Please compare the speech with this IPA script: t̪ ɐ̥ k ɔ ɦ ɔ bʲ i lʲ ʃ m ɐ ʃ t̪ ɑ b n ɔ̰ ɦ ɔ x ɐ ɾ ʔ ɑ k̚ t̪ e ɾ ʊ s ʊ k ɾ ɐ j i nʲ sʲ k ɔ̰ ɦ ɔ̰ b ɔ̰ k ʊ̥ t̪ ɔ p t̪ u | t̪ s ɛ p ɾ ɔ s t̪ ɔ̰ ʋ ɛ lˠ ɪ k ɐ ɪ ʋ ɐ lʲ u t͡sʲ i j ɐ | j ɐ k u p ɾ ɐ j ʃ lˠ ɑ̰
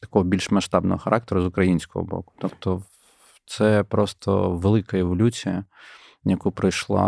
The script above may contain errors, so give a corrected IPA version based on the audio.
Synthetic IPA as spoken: t̪ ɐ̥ k ɔ ɦ ɔ bʲ i lʲ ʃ m ɐ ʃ t̪ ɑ b n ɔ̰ ɦ ɔ x ɐ ɾ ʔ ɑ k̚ t̪ e ɾ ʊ z ʊ k ɾ ɐ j i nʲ sʲ k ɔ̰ ɦ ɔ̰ b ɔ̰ k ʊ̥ t̪ ɔ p t̪ ɔ | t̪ s ɛ p ɾ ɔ s t̪ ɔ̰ ʋ e lˠ ɪ k ɐ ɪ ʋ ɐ lʲ u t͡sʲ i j ɐ | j ɐ k u p ɾ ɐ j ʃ lˠ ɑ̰